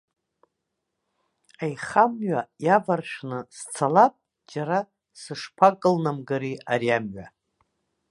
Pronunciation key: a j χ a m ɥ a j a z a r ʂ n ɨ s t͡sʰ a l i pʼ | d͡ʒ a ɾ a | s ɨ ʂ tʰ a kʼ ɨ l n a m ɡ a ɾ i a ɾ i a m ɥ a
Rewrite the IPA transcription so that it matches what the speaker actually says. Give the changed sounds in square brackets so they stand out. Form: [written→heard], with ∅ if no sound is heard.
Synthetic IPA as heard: a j χ a m ɥ a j a [z→v] a r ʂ n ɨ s t͡sʰ a l [i→a] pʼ | d͡ʒ a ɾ a | s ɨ ʂ [tʰ→pʰ] a kʼ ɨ l n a m ɡ a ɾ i a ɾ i a m ɥ a